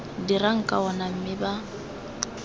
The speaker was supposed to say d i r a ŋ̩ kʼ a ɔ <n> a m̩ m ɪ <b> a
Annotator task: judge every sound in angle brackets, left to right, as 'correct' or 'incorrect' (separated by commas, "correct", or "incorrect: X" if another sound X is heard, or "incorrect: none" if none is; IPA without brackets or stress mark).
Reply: correct, correct